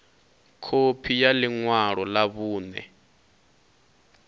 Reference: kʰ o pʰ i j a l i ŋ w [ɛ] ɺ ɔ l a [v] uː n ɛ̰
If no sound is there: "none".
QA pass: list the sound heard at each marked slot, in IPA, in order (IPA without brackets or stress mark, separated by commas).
a, β